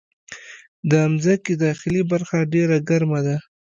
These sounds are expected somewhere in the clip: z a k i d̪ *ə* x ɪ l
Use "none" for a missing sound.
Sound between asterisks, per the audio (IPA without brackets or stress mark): ɑ